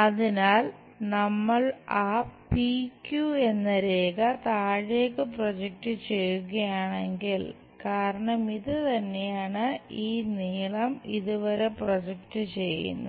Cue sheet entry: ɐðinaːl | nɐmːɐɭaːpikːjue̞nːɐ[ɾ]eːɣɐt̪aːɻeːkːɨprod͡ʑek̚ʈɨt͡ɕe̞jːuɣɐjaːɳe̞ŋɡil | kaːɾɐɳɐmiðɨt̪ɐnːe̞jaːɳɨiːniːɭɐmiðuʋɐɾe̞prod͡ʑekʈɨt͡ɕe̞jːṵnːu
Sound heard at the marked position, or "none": ɾ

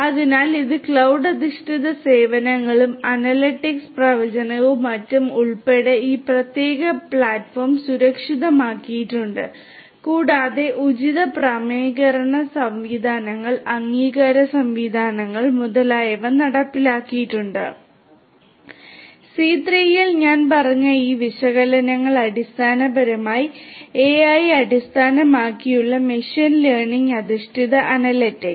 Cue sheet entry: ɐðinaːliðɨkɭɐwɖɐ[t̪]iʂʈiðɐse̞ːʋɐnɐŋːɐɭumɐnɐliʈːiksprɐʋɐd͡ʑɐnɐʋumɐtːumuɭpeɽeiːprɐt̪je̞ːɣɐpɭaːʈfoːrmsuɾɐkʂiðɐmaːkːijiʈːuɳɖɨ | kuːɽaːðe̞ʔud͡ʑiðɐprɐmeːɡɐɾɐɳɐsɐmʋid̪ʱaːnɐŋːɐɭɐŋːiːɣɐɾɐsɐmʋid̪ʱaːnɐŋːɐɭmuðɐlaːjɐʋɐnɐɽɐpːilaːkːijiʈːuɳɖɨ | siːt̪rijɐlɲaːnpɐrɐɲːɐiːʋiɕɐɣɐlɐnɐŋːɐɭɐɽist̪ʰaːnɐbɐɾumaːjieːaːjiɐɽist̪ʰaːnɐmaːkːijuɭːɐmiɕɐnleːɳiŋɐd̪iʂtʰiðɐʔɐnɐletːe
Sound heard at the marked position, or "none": d̪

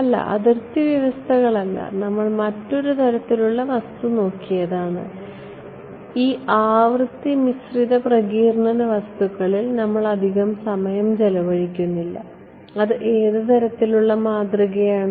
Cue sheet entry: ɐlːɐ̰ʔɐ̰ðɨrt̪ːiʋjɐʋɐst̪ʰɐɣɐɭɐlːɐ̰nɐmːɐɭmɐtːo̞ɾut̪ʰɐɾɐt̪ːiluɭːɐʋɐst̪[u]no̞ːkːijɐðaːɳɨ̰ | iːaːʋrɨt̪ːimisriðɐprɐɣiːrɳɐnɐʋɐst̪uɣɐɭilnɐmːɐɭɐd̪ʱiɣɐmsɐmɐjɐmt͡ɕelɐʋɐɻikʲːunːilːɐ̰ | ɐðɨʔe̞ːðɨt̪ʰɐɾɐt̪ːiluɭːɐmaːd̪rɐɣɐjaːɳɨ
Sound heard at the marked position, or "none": u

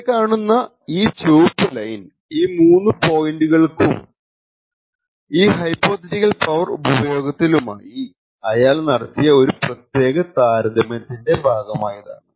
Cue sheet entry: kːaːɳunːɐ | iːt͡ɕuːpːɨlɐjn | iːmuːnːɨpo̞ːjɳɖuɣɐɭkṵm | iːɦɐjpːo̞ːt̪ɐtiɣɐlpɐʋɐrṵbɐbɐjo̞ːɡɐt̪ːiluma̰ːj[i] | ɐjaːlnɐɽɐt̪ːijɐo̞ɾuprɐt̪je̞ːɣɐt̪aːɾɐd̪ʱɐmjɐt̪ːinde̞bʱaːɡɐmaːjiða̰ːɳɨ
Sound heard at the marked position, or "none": i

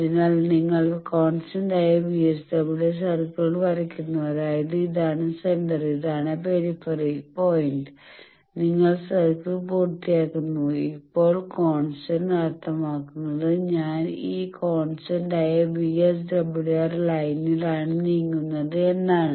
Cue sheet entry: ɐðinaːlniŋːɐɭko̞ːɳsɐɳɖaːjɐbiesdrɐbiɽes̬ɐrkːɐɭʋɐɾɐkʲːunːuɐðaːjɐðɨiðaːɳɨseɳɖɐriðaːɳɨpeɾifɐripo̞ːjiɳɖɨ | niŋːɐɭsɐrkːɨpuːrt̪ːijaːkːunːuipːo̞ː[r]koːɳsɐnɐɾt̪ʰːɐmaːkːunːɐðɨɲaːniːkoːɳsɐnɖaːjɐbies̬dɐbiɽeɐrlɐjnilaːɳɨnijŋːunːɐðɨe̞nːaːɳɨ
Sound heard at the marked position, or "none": ɭ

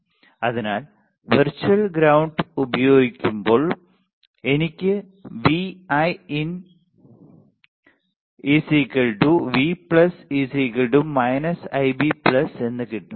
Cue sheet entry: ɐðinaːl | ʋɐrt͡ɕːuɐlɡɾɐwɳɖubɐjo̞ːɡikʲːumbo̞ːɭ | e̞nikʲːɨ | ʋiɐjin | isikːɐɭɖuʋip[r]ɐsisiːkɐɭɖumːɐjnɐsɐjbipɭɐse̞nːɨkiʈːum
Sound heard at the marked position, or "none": ɭ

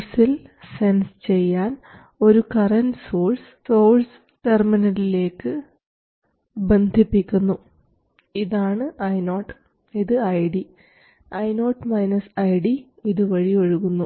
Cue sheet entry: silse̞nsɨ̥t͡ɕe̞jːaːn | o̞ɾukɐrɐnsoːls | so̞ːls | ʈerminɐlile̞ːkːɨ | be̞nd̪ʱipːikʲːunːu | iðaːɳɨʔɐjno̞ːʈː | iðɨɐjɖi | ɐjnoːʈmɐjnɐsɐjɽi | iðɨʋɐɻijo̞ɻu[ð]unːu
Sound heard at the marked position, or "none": ɣ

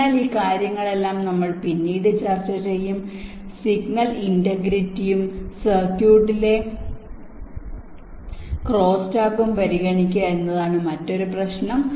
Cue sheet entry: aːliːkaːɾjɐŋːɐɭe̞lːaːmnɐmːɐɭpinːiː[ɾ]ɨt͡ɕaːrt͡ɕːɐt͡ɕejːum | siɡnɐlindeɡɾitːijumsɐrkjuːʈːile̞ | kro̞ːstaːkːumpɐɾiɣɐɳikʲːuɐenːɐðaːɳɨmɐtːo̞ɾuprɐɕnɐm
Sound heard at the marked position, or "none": ɽ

